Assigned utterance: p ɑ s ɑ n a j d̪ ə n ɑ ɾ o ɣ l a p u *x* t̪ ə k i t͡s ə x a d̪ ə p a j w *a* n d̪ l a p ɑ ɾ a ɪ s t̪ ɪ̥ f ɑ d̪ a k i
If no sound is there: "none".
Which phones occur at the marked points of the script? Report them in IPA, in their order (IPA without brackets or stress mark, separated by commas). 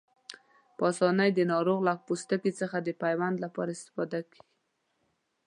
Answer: s, a